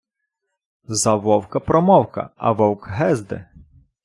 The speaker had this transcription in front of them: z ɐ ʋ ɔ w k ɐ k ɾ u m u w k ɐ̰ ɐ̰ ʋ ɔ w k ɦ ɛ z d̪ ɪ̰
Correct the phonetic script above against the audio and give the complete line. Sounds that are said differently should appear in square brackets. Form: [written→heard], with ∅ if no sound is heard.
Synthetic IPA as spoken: z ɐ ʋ ɔ w k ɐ [k→p] ɾ [u→ɔ] m [u→ɔ] w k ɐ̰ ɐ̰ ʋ ɔ w k ɦ ɛ z d̪ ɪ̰